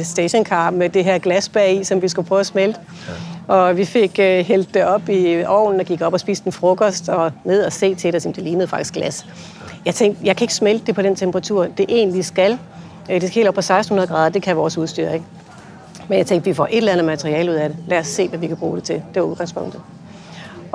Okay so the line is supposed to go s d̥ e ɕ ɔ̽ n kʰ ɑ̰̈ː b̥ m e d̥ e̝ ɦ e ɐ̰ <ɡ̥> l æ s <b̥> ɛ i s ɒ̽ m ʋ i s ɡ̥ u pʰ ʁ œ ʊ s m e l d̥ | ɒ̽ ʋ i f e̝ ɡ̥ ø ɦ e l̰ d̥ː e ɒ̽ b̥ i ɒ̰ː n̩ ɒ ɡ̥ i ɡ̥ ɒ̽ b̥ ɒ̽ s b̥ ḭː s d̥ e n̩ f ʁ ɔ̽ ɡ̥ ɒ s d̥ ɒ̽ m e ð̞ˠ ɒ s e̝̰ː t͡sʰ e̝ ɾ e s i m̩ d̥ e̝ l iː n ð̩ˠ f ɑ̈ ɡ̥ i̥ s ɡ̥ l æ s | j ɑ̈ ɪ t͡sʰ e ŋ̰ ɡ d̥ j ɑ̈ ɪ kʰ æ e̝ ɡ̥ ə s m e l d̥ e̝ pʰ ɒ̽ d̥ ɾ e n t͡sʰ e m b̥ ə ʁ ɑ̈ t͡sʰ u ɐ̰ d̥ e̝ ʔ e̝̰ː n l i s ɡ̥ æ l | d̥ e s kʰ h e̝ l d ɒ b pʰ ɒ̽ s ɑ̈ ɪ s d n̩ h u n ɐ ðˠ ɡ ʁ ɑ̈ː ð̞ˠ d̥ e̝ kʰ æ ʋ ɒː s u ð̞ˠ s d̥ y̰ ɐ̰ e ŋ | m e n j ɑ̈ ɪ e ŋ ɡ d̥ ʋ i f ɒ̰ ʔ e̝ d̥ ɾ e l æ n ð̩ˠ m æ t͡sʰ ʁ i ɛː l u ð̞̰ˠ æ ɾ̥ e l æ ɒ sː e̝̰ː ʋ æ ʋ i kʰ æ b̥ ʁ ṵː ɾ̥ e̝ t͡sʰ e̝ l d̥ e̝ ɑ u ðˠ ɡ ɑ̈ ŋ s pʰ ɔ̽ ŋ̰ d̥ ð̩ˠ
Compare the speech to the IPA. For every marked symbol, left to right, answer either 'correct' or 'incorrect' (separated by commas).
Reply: correct, correct